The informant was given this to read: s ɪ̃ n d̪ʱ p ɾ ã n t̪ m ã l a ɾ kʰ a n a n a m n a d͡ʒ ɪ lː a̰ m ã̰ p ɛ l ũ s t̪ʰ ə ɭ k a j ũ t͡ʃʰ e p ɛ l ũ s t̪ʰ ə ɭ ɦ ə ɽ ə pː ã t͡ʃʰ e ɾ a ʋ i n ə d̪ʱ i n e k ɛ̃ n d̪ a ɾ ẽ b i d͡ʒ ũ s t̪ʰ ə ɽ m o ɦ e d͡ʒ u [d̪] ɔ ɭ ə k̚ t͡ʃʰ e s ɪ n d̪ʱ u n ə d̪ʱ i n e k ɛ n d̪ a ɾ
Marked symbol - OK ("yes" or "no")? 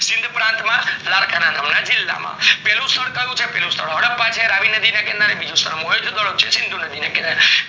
yes